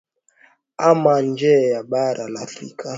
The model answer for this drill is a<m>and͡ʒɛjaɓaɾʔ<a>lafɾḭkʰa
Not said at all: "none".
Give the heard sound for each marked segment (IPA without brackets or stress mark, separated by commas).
m, a